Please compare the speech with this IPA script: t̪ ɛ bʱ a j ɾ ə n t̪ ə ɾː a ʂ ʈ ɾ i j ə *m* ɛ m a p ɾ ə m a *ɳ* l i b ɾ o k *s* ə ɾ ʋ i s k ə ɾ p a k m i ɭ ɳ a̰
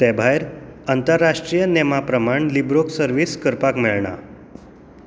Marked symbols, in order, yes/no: no, yes, yes

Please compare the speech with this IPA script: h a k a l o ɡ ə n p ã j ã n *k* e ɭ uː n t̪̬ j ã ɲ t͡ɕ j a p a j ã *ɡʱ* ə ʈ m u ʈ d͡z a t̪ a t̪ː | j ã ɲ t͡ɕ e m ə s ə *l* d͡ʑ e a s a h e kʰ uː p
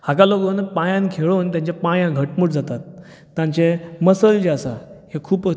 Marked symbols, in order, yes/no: no, yes, yes

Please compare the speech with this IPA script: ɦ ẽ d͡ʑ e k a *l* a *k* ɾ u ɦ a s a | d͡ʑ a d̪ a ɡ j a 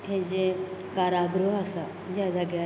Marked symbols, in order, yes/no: no, no

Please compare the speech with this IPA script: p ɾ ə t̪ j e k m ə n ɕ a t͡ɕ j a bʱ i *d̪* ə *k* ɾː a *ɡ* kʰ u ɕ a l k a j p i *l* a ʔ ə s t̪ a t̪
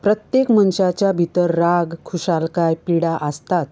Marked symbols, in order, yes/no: no, no, yes, no

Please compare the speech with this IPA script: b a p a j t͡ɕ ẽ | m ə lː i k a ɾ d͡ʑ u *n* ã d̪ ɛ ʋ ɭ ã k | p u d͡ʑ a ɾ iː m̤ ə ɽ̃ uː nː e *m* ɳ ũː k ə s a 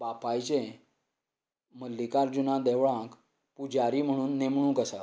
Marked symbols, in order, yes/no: yes, yes

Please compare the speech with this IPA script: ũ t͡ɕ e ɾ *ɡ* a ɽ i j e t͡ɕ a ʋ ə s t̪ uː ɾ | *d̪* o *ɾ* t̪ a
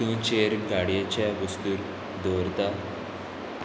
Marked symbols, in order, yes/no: yes, yes, yes

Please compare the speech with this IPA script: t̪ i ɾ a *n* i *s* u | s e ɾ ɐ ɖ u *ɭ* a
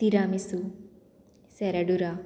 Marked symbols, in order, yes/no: no, yes, no

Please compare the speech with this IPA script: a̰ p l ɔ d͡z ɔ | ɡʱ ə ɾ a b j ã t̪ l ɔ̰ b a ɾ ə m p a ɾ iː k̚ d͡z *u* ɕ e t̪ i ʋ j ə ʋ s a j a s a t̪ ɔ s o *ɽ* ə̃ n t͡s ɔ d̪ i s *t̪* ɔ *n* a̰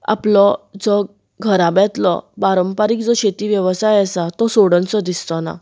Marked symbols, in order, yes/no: no, yes, yes, yes

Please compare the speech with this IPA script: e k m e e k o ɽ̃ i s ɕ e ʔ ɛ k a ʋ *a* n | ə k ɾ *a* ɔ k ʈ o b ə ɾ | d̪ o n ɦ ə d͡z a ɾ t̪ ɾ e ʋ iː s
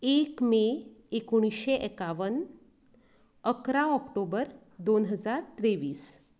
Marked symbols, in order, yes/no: no, yes

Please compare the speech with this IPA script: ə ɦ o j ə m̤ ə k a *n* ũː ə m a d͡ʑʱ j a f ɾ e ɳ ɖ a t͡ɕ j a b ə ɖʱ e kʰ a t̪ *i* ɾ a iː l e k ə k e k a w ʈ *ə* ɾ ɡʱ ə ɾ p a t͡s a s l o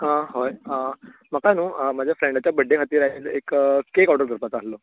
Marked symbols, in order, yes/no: yes, no, yes

